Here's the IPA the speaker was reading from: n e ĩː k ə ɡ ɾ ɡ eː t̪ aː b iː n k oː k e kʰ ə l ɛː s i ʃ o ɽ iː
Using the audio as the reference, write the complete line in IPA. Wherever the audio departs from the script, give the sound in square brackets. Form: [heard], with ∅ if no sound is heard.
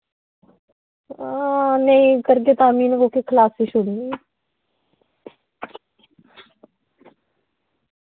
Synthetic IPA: n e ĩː k ə [∅] ɾ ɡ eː t̪ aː [m] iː n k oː k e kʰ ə l [aː] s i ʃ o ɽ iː

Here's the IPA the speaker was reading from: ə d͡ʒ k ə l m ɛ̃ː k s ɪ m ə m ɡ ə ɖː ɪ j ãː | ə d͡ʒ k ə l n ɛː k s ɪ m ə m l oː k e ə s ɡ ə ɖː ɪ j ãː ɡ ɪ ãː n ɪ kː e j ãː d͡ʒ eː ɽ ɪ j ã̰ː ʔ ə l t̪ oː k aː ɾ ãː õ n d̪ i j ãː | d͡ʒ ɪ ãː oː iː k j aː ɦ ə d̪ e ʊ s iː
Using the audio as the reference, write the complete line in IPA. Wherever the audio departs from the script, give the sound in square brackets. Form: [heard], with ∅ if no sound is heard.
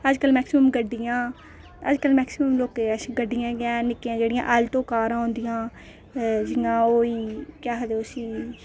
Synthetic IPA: ə d͡ʒ k ə l m [ɛː] k s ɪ m ə m ɡ ə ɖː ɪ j ãː | ə d͡ʒ k ə l [m] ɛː k s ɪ m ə m l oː k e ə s ɡ ə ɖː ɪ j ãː ɡ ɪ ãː n ɪ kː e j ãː d͡ʒ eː ɽ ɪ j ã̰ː ʔ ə l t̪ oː k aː ɾ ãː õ n d̪ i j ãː | d͡ʒ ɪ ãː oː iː k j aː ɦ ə d̪ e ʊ s iː

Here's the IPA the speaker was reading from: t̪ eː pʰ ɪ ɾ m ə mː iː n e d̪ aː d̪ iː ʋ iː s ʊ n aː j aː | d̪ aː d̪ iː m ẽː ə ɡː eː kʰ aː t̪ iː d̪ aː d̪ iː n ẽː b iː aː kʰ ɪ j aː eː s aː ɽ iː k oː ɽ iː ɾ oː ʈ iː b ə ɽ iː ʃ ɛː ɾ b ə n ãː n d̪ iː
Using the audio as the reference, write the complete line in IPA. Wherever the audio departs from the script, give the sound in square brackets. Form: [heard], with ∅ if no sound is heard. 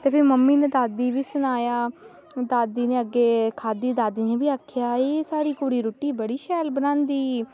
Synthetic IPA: t̪ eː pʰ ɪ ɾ m ə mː iː n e d̪ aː d̪ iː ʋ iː s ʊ n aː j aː | d̪ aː d̪ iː [n] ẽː ə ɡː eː kʰ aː [d̪] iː d̪ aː d̪ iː n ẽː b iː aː kʰ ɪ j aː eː s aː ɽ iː k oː ɽ iː ɾ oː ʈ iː b ə ɽ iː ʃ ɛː [l] b ə n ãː n d̪ iː

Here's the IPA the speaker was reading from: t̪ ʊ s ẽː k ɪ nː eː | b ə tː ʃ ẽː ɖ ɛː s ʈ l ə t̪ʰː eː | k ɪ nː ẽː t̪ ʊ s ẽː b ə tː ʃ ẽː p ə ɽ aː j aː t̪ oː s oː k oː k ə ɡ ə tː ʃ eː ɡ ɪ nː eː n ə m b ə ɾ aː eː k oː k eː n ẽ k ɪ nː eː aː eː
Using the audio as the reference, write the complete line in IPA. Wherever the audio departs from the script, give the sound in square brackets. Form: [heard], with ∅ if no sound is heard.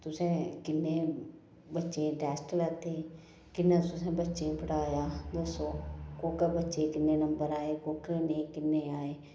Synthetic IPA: t̪ ʊ s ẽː k ɪ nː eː | b ə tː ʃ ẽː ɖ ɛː s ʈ l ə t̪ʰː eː | k ɪ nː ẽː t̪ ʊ s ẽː b ə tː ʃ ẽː p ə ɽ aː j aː [d̪] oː s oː k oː k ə [b] ə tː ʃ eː [k] ɪ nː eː n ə m b ə ɾ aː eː k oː k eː n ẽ k ɪ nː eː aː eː

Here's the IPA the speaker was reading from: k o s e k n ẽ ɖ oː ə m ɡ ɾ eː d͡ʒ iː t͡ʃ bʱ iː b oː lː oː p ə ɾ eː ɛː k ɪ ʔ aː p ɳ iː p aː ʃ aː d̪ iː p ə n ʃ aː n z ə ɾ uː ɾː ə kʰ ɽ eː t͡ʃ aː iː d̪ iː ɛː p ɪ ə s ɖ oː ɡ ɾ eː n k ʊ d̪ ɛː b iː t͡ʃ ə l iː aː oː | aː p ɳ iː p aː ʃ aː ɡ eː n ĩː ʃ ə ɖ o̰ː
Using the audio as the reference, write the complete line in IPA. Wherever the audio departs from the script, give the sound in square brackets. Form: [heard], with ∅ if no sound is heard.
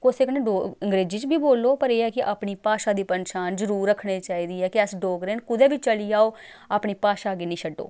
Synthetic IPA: k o s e k n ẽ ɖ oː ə [ŋ] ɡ ɾ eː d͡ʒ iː t͡ʃ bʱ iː b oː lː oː p ə ɾ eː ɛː k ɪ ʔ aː p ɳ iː p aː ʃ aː d̪ iː p ə n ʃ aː n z ə ɾ uː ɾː ə kʰ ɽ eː t͡ʃ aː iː d̪ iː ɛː [k] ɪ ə s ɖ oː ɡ ɾ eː n k ʊ d̪ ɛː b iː t͡ʃ ə l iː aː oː | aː p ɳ iː p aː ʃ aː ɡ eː n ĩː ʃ ə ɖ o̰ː

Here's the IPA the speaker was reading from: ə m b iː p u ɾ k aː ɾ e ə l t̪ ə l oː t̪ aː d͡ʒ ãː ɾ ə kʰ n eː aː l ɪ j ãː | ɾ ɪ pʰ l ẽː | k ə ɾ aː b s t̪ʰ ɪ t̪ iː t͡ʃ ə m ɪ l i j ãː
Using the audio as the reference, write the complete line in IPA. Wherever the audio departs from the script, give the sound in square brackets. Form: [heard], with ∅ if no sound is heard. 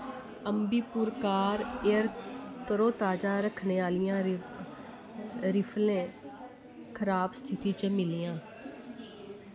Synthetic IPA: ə m b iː p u ɾ k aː ɾ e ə [ɾ] t̪ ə [ɾ] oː t̪ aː d͡ʒ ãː ɾ ə kʰ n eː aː l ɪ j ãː | ɾ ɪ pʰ l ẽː | [kʰ] ə ɾ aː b s t̪ʰ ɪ t̪ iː t͡ʃ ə m ɪ l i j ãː

